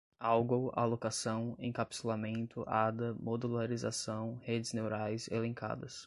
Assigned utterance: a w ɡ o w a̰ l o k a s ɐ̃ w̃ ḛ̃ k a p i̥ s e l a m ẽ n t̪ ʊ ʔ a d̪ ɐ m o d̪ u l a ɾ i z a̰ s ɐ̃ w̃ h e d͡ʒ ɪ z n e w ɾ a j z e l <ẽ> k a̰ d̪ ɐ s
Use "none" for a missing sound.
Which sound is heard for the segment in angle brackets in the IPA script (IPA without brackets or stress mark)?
ẽ